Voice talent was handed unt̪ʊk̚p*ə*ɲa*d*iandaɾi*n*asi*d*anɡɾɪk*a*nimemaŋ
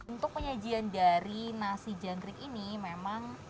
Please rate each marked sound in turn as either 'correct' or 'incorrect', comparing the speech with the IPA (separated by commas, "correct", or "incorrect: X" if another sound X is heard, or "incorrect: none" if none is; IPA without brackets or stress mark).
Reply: correct, incorrect: d͡ʒ, correct, incorrect: d͡ʒ, incorrect: i